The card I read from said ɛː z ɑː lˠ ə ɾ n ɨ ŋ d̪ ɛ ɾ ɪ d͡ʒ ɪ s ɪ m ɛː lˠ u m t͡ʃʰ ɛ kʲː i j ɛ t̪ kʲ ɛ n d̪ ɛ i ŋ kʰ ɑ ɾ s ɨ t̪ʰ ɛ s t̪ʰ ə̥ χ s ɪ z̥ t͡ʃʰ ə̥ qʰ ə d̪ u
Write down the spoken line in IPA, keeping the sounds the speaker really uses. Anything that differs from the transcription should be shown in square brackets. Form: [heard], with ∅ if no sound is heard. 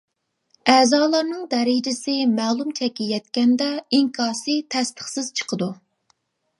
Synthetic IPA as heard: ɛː z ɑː lˠ [ɑ] ɾ n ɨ ŋ d̪ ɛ ɾ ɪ d͡ʒ ɪ s ɪ m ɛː lˠ u m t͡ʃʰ ɛ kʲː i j ɛ t̪ kʲ ɛ n d̪ ɛ i ŋ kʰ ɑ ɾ s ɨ t̪ʰ ɛ s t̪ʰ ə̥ χ s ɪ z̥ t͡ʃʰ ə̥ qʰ ə d̪ u